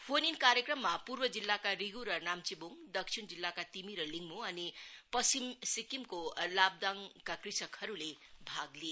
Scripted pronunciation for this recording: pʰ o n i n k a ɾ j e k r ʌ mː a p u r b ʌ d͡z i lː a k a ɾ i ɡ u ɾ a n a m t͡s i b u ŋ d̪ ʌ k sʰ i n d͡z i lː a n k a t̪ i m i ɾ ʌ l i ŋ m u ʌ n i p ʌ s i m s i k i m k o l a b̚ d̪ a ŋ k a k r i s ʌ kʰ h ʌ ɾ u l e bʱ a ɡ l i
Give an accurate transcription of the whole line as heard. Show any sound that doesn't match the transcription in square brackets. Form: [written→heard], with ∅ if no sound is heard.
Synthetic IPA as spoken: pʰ o n i n k a ɾ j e k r ʌ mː a p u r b ʌ d͡z i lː a k a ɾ i ɡ u ɾ [a→ʌ] n a m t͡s i b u ŋ d̪ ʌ k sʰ i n d͡z i lː a [n→∅] k a t̪ i m i ɾ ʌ l i ŋ m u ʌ n i p ʌ s i m s i k i m k o l a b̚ d̪ a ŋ k a k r i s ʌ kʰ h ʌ ɾ u l e bʱ a ɡ l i